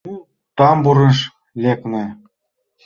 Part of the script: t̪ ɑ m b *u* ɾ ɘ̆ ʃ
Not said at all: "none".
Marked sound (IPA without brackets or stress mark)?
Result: u